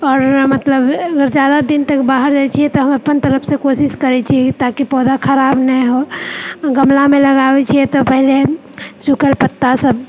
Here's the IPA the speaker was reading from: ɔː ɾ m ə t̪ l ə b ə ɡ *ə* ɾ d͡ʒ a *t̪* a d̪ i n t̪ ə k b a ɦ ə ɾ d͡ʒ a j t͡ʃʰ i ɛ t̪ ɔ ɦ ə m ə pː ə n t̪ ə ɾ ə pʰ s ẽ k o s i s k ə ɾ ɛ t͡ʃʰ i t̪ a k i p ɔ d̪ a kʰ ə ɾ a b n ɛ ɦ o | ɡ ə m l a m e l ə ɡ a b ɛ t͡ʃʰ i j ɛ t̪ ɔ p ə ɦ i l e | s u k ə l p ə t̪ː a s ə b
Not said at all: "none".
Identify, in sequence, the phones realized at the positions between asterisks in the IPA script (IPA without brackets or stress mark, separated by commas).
ə, d̪